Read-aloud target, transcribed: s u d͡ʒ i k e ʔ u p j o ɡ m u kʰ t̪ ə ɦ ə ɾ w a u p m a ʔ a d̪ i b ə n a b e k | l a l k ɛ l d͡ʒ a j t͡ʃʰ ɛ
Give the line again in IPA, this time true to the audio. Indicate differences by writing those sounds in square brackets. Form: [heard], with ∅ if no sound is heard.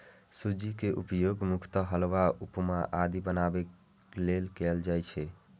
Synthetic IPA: s u d͡ʒ i k e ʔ u p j o ɡ m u kʰ t̪ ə ɦ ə [l] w a u p m a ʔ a d̪ i b ə n a b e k | l [e] l k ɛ l d͡ʒ a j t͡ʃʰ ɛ